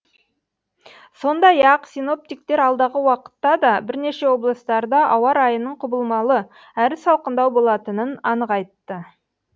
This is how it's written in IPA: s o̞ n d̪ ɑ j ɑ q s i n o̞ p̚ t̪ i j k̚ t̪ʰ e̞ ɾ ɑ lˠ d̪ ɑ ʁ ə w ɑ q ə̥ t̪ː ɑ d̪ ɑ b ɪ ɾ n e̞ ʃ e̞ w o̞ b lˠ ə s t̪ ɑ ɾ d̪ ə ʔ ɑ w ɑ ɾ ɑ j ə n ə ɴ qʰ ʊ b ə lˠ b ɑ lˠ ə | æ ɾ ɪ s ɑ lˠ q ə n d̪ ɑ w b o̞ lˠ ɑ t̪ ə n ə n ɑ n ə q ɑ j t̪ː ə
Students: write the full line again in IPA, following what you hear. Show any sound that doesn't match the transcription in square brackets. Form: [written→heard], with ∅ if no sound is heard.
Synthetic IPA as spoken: s o̞ n d̪ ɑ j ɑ q s i n o̞ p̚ t̪ i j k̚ [t̪ʰ→t̪] e̞ ɾ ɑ lˠ d̪ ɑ ʁ ə w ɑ q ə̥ t̪ː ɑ d̪ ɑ b ɪ ɾ n e̞ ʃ e̞ w o̞ b lˠ ə s t̪ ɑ ɾ d̪ [ə→ɑ] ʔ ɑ w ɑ ɾ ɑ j ə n ə ɴ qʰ ʊ b ə lˠ [b→m] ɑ lˠ ə | æ ɾ ɪ s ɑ lˠ q ə n d̪ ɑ w b o̞ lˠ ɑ t̪ ə n ə n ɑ n ə q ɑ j t̪ː ə